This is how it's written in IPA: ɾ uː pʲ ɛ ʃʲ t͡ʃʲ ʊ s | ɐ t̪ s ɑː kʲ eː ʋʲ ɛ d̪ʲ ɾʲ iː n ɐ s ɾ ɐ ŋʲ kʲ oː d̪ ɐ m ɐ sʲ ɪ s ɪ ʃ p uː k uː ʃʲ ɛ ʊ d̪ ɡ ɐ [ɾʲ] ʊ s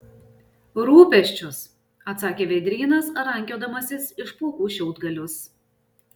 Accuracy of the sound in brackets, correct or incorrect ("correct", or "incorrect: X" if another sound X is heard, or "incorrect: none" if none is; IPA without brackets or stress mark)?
incorrect: lʲ